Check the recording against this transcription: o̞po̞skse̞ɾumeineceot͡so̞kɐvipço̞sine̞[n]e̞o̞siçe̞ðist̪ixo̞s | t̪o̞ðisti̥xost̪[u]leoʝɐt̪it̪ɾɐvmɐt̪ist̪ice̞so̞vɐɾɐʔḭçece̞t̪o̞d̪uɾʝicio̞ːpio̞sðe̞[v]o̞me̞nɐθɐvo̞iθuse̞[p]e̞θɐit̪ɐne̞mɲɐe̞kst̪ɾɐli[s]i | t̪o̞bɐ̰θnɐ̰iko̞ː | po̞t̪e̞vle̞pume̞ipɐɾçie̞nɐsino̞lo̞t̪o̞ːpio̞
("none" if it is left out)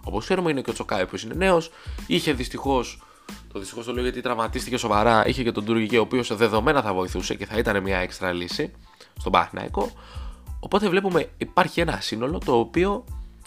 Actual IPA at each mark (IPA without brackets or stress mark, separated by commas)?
n, o, ð, c, s